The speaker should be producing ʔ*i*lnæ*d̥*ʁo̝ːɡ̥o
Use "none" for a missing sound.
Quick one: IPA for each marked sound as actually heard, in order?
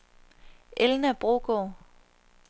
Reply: e, b̥

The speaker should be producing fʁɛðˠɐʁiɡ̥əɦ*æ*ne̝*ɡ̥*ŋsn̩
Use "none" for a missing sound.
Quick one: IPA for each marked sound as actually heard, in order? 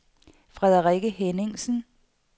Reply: e, none

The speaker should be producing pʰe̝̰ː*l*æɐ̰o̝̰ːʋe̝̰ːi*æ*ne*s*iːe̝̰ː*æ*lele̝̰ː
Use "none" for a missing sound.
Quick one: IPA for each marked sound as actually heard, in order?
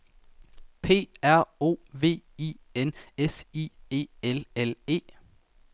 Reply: none, e, s, e

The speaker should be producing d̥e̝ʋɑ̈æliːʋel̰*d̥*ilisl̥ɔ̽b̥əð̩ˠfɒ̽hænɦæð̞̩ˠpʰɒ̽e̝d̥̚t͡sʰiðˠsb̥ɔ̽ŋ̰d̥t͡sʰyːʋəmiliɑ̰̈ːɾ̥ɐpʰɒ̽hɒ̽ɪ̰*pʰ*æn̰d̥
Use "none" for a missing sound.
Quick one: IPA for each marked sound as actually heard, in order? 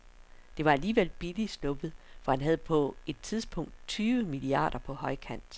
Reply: b̥, kʰ

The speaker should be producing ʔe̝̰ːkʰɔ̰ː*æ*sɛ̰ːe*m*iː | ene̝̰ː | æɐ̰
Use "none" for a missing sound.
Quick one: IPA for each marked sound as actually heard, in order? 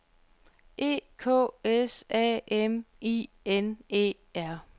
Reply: e, m

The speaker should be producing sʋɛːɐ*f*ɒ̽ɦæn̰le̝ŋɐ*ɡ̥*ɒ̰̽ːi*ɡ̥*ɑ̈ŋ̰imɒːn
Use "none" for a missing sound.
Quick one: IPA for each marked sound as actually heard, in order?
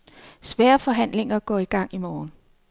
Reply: f, ɡ̥, ɡ̥

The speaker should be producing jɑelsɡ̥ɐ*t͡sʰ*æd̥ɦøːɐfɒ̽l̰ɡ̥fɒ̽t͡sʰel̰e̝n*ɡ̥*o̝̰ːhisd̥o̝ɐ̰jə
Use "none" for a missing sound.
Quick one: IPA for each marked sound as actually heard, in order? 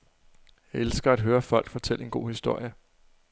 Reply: none, ɡ̥

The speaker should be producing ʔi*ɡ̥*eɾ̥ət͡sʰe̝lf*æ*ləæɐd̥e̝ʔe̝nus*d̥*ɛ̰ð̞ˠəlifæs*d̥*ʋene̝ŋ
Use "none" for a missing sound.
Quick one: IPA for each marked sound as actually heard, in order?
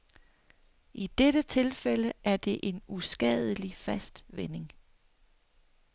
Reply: d̥, e, ɡ̥, d̥

